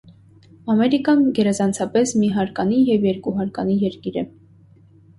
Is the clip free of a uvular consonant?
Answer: yes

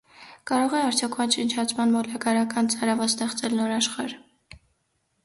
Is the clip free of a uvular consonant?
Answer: no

